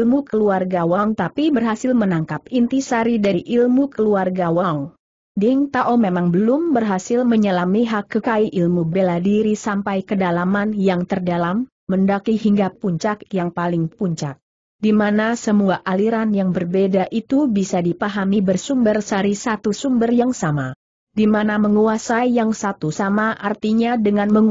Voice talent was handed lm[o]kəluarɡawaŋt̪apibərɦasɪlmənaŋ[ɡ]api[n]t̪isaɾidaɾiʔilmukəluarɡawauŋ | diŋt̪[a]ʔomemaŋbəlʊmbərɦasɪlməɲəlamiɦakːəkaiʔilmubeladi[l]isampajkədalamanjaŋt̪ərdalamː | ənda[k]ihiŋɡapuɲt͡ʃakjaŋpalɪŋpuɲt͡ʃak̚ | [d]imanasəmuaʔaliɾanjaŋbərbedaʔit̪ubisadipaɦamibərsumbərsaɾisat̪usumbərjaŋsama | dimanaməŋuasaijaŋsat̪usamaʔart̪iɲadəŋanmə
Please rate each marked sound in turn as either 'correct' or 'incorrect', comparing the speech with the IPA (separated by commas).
incorrect, incorrect, correct, correct, incorrect, correct, correct